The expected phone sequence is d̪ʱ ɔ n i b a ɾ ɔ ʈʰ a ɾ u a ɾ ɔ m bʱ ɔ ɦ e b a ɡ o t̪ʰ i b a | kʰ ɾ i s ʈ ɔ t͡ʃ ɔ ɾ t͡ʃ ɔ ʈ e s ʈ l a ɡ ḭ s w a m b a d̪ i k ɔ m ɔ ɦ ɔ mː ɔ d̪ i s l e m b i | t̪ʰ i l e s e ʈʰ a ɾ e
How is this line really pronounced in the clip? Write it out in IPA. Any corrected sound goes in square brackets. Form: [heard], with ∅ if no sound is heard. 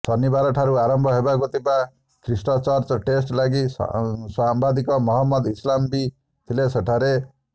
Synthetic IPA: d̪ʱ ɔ n i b a ɾ ɔ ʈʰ a ɾ u a ɾ ɔ m bʱ ɔ ɦ e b a ɡ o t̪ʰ i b a | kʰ ɾ i s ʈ ɔ t͡ʃ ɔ ɾ t͡ʃ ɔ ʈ e s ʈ l a ɡ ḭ s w a m b a d̪ i k ɔ m ɔ ɦ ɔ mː ɔ d̪ i s l [a] m b i | t̪ʰ i l e s e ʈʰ a ɾ e